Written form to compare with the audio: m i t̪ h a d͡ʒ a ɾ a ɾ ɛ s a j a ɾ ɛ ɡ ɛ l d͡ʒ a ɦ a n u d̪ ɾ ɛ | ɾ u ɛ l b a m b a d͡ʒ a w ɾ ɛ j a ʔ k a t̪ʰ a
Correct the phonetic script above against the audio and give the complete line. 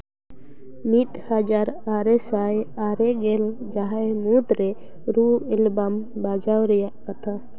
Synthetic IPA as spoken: m i t̪ h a d͡ʒ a ɾ a ɾ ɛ s a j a ɾ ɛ ɡ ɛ l d͡ʒ a ɦ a m u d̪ ɾ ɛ | ɾ u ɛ l b a m b a d͡ʒ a w ɾ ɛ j a ʔ k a t̪ʰ a